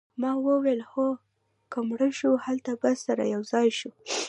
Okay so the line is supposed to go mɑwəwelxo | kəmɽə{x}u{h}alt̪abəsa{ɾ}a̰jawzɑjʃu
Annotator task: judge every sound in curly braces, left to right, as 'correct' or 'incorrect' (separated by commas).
incorrect, correct, correct